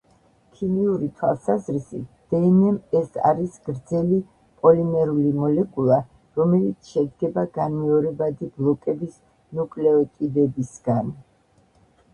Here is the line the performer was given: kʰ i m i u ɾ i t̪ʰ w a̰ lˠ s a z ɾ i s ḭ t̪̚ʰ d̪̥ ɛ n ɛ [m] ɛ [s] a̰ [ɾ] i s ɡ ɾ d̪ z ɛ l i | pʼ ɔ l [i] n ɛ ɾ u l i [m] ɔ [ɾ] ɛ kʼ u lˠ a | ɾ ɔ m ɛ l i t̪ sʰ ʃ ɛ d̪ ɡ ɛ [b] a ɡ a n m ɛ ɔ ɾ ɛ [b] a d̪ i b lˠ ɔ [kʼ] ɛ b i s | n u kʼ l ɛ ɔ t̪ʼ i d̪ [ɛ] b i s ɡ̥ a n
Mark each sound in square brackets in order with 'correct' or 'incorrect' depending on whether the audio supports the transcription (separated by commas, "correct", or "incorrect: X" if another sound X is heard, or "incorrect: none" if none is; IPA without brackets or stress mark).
correct, correct, correct, correct, correct, incorrect: l, correct, correct, correct, correct